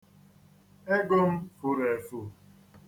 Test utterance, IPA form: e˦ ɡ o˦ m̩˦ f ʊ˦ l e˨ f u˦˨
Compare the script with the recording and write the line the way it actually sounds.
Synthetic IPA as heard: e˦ ɡ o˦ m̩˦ f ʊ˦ ɾ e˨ f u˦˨